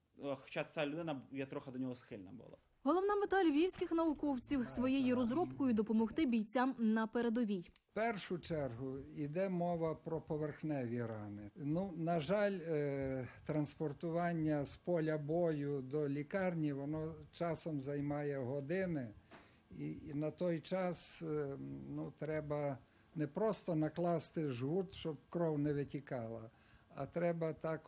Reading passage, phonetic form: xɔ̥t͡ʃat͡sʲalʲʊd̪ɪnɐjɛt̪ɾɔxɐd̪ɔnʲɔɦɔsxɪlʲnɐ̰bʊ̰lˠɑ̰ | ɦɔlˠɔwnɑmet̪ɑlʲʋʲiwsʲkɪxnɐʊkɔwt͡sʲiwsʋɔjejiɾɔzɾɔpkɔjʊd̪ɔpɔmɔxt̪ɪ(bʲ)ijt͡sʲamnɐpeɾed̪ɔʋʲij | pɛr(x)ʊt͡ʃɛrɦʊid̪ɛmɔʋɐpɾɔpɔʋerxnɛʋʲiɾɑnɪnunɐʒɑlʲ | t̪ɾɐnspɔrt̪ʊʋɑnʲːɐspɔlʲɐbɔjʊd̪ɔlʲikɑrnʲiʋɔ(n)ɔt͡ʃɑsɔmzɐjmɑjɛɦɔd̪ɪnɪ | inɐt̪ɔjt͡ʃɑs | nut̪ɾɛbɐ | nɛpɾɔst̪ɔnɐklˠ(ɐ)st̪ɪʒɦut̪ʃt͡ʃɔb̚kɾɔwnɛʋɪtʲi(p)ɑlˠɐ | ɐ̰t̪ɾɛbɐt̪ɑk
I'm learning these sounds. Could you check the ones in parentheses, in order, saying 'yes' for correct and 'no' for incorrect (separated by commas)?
yes, no, yes, no, no